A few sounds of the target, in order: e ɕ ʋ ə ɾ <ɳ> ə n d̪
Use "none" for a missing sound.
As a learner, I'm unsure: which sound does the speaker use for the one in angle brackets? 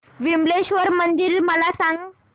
m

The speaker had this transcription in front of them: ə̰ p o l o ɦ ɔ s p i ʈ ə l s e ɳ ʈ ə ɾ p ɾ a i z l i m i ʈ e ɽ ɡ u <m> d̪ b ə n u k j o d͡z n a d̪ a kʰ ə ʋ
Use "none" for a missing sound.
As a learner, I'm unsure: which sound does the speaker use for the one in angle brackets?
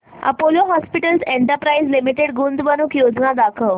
n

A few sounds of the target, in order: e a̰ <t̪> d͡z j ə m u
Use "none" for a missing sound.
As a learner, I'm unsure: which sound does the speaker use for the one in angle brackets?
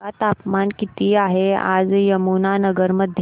none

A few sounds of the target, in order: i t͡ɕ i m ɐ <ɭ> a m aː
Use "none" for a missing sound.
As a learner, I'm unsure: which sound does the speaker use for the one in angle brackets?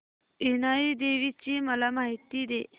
l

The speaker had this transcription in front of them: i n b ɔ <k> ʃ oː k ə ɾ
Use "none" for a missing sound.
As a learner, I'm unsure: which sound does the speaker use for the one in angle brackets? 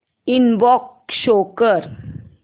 k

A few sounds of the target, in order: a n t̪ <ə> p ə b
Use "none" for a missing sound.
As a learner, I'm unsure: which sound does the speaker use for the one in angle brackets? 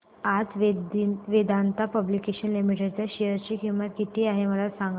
a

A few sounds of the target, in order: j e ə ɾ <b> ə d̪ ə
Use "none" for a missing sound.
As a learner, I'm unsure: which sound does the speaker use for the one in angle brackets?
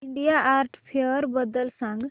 b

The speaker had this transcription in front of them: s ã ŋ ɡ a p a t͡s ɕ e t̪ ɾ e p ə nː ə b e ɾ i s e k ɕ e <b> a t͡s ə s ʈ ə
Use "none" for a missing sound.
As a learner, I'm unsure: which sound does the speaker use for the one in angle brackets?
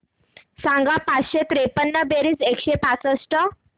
p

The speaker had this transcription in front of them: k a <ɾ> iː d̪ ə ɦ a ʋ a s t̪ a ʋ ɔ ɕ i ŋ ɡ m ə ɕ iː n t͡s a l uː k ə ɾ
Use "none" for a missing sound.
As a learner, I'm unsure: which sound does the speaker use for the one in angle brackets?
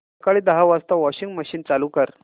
ɭ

